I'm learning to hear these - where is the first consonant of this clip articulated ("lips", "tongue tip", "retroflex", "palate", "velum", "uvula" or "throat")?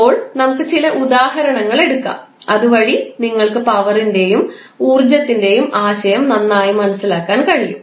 retroflex